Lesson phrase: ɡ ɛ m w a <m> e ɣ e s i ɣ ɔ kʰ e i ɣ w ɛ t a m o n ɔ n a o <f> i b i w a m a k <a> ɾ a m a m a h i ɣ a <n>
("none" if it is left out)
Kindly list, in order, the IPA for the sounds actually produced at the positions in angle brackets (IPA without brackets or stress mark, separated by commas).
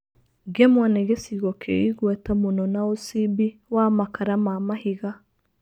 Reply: n, s, a, none